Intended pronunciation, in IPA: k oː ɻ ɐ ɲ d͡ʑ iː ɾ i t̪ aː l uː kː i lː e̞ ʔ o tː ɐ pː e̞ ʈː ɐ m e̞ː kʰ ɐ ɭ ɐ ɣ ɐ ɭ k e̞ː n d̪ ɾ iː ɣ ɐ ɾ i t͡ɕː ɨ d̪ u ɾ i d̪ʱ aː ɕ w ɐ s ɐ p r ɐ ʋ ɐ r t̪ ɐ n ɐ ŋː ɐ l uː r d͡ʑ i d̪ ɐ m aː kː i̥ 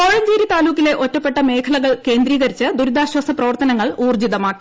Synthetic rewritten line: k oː ɻ ɐ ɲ d͡ʑ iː ɾ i t̪ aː l uː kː i l e̞ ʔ o tː ɐ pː e̞ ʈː ɐ m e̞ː kʰ ɐ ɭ ɐ ɣ ɐ ɭ k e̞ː n d̪ ɾ iː ɣ ɐ ɾ i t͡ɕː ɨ d̪ u ɾ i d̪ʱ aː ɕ w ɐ s ɐ p r ɐ ʋ ɐ r t̪ ɐ n ɐ ŋː ɐ ɭ uː r d͡ʑ i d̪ ɐ m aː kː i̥